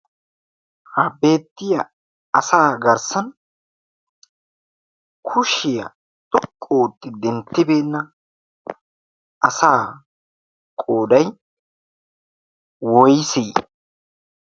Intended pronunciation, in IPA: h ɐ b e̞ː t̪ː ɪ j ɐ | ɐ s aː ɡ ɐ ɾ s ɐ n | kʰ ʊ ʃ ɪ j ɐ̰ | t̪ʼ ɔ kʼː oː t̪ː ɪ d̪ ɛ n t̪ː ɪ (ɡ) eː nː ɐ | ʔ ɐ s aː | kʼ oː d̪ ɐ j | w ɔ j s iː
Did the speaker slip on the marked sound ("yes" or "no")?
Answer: yes